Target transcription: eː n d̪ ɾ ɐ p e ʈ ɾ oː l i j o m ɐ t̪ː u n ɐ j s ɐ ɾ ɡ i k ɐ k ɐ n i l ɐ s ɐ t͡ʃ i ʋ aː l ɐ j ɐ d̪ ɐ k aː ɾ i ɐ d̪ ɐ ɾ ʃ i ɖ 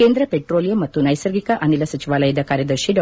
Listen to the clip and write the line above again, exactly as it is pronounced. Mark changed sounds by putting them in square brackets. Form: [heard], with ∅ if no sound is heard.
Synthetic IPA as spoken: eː n d̪ ɾ ɐ p e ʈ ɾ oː l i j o m ɐ t̪ː u n ɐ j s ɐ ɾ ɡ i k ɐ [ʔ] ɐ n i l ɐ s ɐ t͡ʃ i ʋ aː l ɐ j ɐ d̪ ɐ k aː ɾ [j] ɐ d̪ ɐ ɾ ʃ i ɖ